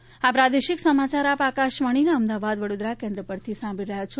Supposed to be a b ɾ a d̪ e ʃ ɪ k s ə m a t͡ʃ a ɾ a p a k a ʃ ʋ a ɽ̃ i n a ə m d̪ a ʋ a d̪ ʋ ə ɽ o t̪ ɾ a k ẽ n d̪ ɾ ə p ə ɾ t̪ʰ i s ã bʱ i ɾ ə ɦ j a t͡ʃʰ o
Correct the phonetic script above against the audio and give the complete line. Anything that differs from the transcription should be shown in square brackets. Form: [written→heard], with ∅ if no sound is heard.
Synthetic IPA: a [b→p] ɾ a d̪ e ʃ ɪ k s ə m a t͡ʃ a ɾ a p a k a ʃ ʋ a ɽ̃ i n a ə m d̪ a ʋ a d̪ ʋ ə ɽ o [t̪→d̪] ɾ a k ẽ n d̪ ɾ ə p ə ɾ t̪ʰ i s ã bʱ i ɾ ə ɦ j a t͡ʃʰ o